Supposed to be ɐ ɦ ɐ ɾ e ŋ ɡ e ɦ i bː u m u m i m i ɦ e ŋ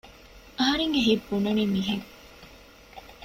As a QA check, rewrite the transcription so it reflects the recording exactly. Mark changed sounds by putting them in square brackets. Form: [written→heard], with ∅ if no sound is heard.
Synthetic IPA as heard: ɐ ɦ ɐ ɾ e ŋ ɡ e ɦ i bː u [m→n] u [m→n] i m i ɦ e ŋ